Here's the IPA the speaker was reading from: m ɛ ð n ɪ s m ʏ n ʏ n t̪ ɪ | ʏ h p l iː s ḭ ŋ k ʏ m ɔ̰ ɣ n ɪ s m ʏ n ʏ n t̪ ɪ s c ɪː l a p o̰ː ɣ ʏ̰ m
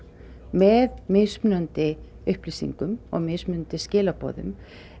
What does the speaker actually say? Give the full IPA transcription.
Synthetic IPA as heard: m ɛ ð m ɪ s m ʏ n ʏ n t̪ ɪ | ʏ h p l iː s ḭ ŋ k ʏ m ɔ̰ ɣ m ɪ s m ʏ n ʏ n t̪ ɪ s c ɪː l a p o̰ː ð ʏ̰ m